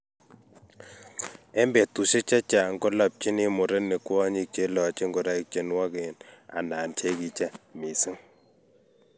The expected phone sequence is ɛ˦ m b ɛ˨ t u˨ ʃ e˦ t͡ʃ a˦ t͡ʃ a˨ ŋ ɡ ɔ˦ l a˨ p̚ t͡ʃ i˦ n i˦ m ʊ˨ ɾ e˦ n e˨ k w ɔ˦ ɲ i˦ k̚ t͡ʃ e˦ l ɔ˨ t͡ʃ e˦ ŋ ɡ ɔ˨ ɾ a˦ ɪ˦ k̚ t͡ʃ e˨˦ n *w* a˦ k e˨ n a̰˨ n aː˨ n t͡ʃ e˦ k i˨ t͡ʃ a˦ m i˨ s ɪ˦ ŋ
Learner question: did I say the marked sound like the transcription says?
yes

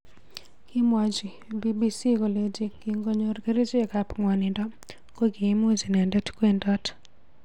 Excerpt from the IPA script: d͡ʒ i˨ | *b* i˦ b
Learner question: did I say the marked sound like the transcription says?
yes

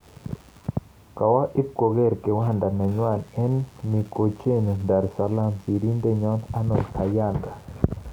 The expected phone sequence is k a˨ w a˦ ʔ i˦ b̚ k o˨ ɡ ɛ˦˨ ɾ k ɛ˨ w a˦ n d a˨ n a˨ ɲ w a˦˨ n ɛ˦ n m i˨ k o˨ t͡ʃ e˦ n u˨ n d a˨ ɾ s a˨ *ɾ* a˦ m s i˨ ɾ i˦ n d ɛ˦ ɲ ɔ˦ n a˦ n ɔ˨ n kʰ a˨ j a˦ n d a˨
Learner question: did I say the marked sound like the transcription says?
no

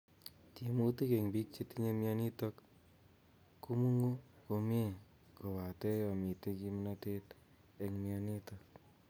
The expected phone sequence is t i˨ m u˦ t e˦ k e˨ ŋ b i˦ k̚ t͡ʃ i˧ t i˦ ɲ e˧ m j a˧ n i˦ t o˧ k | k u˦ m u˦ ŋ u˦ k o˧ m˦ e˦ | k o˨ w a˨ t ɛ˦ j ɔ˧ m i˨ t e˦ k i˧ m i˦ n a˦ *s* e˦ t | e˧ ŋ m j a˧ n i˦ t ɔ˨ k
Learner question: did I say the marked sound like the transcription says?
no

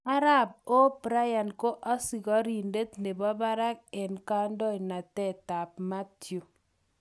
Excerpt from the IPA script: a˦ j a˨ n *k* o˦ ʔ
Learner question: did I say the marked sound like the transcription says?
yes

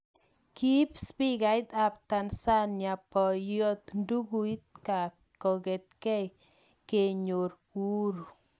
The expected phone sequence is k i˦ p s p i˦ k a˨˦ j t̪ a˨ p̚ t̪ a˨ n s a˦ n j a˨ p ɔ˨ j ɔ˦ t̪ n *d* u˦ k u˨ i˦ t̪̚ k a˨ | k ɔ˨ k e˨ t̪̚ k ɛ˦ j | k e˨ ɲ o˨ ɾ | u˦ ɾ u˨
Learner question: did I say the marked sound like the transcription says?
yes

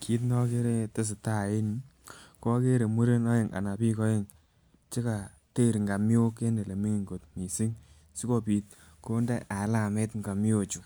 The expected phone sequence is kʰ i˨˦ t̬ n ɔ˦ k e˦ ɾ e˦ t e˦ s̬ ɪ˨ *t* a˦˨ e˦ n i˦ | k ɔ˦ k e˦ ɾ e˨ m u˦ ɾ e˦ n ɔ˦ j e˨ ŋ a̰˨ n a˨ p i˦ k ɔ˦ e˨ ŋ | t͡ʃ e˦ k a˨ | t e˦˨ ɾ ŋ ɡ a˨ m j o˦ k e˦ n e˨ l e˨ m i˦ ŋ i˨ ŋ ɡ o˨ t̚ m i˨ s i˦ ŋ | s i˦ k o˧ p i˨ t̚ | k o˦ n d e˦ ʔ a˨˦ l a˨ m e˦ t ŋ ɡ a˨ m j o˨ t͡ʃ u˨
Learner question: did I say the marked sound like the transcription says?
yes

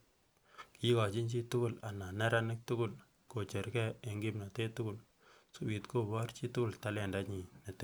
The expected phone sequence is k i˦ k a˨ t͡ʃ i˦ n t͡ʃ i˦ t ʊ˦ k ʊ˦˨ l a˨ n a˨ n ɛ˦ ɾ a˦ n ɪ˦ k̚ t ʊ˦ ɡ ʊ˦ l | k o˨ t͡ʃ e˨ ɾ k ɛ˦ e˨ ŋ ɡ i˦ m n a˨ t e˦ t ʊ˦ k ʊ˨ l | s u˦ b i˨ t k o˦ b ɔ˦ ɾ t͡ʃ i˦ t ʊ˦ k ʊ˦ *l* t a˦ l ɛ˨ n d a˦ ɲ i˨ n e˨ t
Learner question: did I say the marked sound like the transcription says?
yes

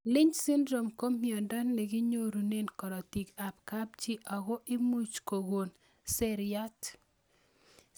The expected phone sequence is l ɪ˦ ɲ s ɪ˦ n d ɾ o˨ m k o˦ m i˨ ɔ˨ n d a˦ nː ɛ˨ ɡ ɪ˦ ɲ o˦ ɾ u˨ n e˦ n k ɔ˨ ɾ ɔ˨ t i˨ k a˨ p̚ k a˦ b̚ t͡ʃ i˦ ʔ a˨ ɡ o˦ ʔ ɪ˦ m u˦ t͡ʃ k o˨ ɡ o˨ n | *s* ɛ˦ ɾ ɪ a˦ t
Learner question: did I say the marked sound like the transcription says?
yes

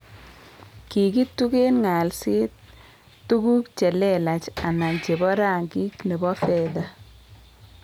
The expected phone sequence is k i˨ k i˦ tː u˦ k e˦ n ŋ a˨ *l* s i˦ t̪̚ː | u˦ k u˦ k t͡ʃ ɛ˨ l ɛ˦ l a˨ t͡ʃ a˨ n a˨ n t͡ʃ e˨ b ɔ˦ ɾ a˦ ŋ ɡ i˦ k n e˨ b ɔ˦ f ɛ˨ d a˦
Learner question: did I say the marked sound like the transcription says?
yes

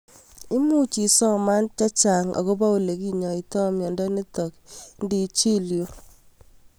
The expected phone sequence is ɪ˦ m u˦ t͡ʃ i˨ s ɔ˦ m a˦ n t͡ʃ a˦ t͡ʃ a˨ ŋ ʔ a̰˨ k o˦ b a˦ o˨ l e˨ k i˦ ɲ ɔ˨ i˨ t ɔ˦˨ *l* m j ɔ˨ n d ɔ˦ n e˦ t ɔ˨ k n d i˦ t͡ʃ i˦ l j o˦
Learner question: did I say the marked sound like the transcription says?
no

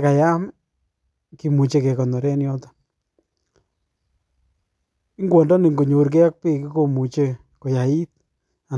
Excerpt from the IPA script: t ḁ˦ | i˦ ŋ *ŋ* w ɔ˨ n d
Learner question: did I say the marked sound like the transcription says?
no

